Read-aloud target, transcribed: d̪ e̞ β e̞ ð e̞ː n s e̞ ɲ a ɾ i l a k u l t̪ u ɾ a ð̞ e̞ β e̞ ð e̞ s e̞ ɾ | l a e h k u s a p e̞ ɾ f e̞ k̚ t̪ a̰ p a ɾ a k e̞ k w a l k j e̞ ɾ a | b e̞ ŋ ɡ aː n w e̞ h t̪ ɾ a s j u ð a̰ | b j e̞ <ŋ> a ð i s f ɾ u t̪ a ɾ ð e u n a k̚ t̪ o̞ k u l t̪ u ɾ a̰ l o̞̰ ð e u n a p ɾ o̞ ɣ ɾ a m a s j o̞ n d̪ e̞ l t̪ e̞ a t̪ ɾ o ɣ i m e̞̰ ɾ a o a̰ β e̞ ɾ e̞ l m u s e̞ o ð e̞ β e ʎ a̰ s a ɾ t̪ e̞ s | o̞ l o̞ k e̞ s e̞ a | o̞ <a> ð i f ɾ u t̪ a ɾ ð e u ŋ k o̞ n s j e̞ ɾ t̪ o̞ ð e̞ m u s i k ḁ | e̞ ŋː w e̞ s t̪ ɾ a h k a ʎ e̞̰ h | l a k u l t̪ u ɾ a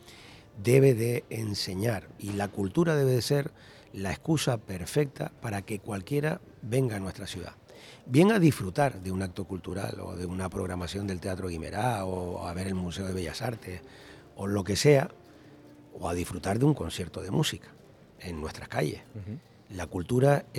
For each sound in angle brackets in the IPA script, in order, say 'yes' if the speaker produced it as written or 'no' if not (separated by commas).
yes, yes